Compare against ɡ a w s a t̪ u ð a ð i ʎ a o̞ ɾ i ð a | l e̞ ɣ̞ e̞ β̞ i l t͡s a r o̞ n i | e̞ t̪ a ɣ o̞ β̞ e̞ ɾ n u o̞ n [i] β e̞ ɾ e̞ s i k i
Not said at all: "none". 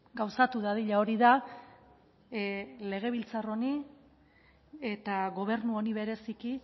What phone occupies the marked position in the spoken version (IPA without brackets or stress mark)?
i